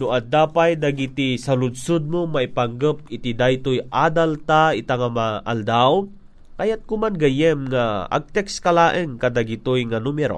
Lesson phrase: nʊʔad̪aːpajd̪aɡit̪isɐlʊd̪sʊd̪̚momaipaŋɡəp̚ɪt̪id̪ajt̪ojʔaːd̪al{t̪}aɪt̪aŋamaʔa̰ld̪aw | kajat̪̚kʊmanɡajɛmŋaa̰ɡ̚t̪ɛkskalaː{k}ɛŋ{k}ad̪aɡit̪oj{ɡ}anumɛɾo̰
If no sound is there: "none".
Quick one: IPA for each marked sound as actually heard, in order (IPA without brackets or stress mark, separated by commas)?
t̪, ʔ, k, ŋ